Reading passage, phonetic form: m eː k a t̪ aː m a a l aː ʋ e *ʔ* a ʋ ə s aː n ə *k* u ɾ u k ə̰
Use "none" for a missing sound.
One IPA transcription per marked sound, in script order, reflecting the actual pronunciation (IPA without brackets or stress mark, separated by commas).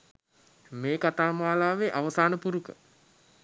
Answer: ʔ, p